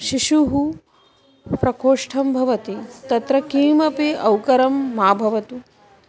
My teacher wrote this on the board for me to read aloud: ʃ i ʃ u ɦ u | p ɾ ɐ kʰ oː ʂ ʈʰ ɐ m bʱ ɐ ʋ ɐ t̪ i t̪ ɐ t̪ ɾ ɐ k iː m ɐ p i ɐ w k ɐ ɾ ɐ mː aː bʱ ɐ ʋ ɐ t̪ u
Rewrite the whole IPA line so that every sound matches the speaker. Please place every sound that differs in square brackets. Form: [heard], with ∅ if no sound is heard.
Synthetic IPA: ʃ i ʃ u ɦ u | p ɾ ɐ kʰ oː ʂ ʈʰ ɐ m bʱ ɐ ʋ ɐ t̪ i t̪ ɐ t̪ ɾ ɐ k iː m ɐ p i ɐ w k ɐ ɾ ɐ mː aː bʱ ɐ ʋ ɐ t̪ u

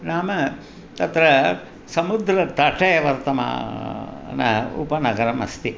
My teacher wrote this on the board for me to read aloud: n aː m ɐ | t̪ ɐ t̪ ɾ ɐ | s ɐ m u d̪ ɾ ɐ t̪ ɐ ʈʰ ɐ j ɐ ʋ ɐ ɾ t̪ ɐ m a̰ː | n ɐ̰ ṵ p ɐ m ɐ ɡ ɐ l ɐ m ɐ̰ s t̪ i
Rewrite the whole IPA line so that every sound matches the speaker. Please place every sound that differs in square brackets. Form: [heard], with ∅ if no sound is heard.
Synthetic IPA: n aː m ɐ | t̪ ɐ t̪ ɾ ɐ | s ɐ m u d̪ ɾ ɐ t̪ ɐ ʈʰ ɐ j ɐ ʋ ɐ ɾ t̪ ɐ m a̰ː | n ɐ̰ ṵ p ɐ [n] ɐ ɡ ɐ [ɾ] ɐ m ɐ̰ s t̪ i

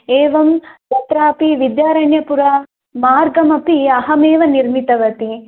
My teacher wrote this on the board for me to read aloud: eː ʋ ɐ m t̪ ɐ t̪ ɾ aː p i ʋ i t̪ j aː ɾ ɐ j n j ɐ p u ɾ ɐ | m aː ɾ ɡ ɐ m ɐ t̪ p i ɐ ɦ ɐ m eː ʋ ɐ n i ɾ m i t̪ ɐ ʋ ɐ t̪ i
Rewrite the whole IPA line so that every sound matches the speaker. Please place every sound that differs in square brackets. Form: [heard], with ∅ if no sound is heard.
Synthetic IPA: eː ʋ ɐ m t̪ ɐ t̪ ɾ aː p i ʋ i [d̪] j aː ɾ ɐ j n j ɐ p u ɾ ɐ | m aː ɾ ɡ ɐ m ɐ [∅] p i ɐ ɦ ɐ m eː ʋ ɐ n i ɾ m i t̪ ɐ ʋ ɐ t̪ i

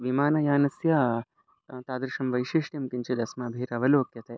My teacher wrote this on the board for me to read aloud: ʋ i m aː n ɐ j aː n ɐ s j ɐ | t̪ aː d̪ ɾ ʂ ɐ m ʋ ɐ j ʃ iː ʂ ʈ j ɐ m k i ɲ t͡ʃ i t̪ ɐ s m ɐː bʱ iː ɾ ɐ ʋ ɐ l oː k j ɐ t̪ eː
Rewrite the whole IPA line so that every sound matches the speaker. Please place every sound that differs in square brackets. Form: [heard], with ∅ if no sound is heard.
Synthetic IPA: ʋ i m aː n ɐ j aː n ɐ s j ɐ | t̪ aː d̪ ɾ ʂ ɐ m ʋ ɐ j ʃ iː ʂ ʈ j ɐ m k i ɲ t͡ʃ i [d̪] ɐ s m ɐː bʱ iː ɾ ɐ ʋ ɐ l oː k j ɐ t̪ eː

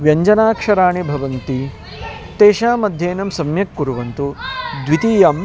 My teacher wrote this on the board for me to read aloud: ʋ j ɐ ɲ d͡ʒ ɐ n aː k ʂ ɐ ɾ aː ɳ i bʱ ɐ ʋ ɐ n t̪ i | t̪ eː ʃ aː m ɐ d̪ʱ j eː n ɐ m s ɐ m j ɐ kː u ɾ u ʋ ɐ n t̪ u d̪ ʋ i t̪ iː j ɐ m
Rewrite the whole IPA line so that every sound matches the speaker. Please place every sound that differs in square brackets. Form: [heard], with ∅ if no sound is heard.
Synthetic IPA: ʋ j ɐ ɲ d͡ʒ ɐ n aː k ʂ ɐ ɾ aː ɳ i bʱ ɐ ʋ ɐ n t̪ i | t̪ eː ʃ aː m ɐ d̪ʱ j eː n ɐ m s ɐ m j ɐ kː u ɾ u ʋ ɐ n t̪ u d̪ ʋ i t̪ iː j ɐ m

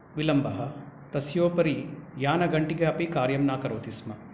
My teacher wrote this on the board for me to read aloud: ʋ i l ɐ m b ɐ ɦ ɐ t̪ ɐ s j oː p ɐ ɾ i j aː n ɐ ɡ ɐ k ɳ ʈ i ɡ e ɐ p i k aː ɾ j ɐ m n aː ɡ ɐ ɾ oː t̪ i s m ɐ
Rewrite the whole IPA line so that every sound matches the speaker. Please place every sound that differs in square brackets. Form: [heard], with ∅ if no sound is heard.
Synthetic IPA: ʋ i l ɐ m b ɐ ɦ ɐ t̪ ɐ s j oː p ɐ ɾ i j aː n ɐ ɡ ɐ [∅] ɳ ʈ i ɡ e ɐ p i k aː ɾ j ɐ m n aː [k] ɐ ɾ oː t̪ i s m ɐ

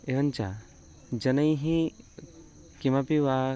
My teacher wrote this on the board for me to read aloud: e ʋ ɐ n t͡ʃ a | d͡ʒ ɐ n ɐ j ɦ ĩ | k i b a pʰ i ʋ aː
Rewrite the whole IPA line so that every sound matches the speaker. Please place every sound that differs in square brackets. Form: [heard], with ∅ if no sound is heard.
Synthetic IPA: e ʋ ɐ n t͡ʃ a | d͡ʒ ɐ n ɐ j ɦ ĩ | k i [m] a [p] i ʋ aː

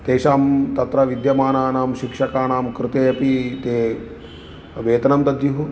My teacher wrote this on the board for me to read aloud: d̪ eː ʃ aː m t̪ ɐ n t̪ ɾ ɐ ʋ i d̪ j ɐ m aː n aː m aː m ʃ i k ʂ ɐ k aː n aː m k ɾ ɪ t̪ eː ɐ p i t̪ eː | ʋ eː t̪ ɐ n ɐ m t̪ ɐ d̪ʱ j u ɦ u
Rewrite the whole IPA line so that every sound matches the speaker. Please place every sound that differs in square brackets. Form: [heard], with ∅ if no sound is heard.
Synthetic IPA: [t̪] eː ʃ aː m t̪ ɐ [∅] t̪ ɾ ɐ ʋ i d̪ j ɐ m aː n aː [n] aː m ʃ i k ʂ ɐ k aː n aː m k ɾ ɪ t̪ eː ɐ p i t̪ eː | ʋ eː t̪ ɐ n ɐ m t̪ ɐ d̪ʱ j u ɦ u

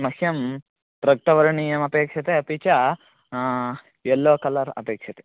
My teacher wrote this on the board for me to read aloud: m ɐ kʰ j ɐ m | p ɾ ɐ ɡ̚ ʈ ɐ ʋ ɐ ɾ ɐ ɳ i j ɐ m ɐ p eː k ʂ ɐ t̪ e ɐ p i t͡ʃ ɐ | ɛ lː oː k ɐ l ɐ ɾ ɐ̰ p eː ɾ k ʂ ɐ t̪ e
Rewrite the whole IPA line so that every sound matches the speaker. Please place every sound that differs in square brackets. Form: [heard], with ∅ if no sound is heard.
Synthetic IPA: m ɐ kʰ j ɐ m | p ɾ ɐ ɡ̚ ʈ ɐ ʋ ɐ ɾ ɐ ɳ i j ɐ m ɐ p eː k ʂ ɐ t̪ e ɐ p i t͡ʃ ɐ | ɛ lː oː k ɐ l ɐ ɾ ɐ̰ p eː [∅] k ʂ ɐ t̪ e

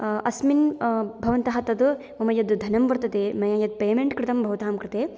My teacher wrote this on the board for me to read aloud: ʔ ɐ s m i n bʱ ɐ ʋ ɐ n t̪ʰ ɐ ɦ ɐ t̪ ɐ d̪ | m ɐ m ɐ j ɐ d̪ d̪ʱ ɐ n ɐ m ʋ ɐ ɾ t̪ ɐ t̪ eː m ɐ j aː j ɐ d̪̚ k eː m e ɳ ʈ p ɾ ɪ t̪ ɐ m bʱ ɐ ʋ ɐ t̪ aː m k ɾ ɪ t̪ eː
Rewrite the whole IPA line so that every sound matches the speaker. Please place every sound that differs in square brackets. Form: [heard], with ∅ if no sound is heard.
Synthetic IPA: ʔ ɐ s m i n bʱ ɐ ʋ ɐ n [t̪] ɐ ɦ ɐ t̪ ɐ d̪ | m ɐ m ɐ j ɐ d̪ d̪ʱ ɐ n ɐ m ʋ ɐ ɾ t̪ ɐ t̪ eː m ɐ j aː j ɐ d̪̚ [p] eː m e ɳ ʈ [k] ɾ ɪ t̪ ɐ m bʱ ɐ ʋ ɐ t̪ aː m k ɾ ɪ t̪ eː

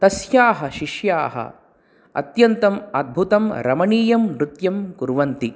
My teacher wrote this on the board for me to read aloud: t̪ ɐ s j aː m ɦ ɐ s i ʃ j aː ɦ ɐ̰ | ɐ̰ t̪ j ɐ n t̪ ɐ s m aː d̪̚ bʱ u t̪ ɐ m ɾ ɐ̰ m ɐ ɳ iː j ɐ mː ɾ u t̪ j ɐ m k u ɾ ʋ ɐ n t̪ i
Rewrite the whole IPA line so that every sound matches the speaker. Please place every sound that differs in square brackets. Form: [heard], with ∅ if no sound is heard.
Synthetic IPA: t̪ ɐ s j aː [∅] ɦ ɐ [ʃ] i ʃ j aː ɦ ɐ̰ | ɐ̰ t̪ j ɐ n t̪ ɐ [∅] m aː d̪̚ bʱ u t̪ ɐ m ɾ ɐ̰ m ɐ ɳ iː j ɐ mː ɾ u t̪ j ɐ m k u ɾ ʋ ɐ n t̪ i

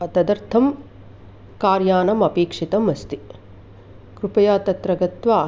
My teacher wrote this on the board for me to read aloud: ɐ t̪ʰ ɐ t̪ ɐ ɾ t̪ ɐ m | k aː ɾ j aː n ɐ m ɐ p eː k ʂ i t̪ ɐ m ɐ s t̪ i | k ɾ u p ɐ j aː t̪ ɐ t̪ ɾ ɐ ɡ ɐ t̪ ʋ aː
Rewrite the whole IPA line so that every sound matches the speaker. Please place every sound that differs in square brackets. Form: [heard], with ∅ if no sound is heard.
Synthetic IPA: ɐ [t̪] ɐ [d̪] ɐ ɾ [t̪ʰ] ɐ m | k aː ɾ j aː n ɐ m ɐ p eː k ʂ i t̪ ɐ m ɐ s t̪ i | k ɾ u p ɐ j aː t̪ ɐ t̪ ɾ ɐ ɡ ɐ t̪ ʋ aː

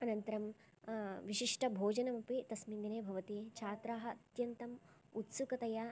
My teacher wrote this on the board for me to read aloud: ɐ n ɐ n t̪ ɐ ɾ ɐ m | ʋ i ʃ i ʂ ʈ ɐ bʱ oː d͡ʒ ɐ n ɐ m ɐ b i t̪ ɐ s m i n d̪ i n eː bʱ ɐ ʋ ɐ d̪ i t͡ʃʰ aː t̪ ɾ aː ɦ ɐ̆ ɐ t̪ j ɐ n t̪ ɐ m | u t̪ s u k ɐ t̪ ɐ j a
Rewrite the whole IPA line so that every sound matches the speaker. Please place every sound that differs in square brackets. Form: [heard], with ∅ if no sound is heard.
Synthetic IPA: ɐ n ɐ n t̪ ɐ ɾ ɐ m | ʋ i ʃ i ʂ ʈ ɐ bʱ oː d͡ʒ ɐ n ɐ m ɐ [p] i t̪ ɐ s m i n d̪ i n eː bʱ ɐ ʋ ɐ [t̪] i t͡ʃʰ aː t̪ ɾ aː ɦ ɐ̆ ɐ t̪ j ɐ n t̪ ɐ m | u t̪ s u k ɐ t̪ ɐ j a

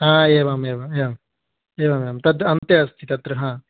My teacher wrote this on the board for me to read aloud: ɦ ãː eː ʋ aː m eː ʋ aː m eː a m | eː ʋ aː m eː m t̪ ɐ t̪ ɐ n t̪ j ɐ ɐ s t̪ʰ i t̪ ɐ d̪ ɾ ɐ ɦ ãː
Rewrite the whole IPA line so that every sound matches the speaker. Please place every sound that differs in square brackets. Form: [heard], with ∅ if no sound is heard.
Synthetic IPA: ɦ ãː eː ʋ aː m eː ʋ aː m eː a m | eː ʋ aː m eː m t̪ ɐ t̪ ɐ n t̪ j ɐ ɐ s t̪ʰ i t̪ ɐ [t̪] ɾ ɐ ɦ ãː

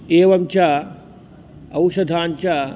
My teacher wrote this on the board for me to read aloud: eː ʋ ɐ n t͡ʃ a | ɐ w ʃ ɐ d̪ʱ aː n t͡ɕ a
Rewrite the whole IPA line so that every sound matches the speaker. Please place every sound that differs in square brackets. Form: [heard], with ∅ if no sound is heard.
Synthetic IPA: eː ʋ ɐ [m] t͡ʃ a | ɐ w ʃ ɐ d̪ʱ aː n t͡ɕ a

